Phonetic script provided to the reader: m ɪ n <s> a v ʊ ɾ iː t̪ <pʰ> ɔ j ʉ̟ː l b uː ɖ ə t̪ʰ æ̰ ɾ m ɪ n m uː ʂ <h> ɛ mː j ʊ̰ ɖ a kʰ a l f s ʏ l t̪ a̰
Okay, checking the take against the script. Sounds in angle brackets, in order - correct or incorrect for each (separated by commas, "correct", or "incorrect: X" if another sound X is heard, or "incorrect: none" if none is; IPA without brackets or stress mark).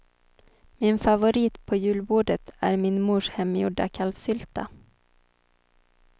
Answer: incorrect: f, correct, correct